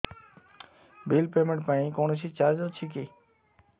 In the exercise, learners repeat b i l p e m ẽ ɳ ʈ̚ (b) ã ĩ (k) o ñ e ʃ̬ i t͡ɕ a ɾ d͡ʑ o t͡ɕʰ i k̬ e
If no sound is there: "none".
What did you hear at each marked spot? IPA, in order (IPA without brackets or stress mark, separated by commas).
p, k